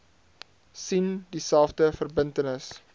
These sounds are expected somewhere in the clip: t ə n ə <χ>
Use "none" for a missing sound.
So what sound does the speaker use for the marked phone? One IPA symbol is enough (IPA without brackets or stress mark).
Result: s